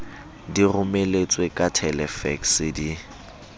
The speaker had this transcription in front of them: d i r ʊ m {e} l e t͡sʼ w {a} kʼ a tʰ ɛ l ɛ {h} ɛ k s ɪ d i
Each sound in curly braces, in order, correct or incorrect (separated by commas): correct, incorrect, incorrect